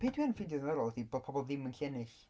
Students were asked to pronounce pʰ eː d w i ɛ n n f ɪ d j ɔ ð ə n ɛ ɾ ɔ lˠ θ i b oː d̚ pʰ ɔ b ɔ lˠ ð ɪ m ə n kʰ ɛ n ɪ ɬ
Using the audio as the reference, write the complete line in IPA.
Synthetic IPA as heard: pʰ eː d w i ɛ n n f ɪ d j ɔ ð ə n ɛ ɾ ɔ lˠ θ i b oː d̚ pʰ ɔ b ɔ lˠ ð ɪ m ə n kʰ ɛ n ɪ ɬ